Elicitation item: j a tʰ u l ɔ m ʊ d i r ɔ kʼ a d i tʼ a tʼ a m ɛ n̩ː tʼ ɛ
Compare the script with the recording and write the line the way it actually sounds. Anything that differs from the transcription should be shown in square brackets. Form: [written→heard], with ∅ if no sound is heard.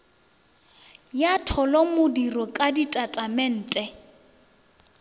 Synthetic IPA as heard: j a tʰ [u→ɔ] l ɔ m ʊ d i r ɔ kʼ a d i tʼ a tʼ a m ɛ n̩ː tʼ ɛ